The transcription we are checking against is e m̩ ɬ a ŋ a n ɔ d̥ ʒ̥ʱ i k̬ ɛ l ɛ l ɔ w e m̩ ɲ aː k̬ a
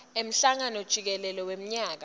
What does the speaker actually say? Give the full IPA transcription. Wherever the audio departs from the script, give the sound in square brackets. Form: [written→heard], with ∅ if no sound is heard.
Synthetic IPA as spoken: e m̩ ɬ a ŋ a n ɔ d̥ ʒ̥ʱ i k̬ ɛ l ɛ l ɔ w e m̩ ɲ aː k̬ a